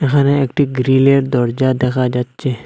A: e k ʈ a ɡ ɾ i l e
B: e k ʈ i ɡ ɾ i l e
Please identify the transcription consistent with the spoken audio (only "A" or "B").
B